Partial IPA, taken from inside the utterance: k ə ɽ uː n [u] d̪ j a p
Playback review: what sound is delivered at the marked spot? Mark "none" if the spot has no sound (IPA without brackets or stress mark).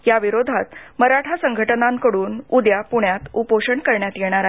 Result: u